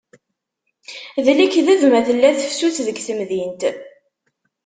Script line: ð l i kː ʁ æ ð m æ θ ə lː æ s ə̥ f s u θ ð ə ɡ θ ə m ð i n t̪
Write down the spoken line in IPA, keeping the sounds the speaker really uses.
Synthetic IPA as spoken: ð l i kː ð æ ð m æ θ ə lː æ θ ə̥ f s u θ ð ə ɡ θ ə m ð i n t̪